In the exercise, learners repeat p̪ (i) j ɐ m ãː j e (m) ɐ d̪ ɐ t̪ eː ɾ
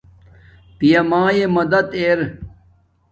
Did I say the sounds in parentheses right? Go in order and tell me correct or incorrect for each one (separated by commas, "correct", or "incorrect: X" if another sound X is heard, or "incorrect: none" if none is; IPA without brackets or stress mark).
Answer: correct, correct